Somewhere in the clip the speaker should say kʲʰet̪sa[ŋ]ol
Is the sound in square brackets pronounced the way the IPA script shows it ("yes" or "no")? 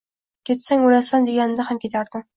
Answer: yes